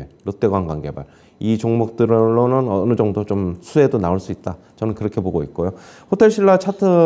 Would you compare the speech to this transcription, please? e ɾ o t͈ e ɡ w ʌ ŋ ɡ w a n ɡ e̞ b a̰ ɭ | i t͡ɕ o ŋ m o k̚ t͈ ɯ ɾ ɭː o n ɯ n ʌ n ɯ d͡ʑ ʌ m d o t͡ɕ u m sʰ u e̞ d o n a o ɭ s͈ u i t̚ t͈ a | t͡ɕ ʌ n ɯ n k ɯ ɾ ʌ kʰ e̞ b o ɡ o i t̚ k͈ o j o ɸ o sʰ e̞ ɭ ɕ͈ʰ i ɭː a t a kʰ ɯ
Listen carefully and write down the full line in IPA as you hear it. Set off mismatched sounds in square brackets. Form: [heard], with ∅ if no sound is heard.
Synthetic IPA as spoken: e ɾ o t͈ e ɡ w [a] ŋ ɡ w a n ɡ e̞ b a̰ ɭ | i t͡ɕ o ŋ m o k̚ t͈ ɯ ɾ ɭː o n ɯ n ʌ n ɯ d͡ʑ ʌ [ŋ] d o t͡ɕ [o] m sʰ u e̞ d o n a o ɭ s͈ u i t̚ t͈ a | t͡ɕ ʌ n ɯ n k ɯ ɾ ʌ kʰ e̞ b o ɡ o i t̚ k͈ o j o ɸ o [tʰ] e̞ ɭ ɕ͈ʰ i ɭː a [t͡ɕʰ] a [tʰ] ɯ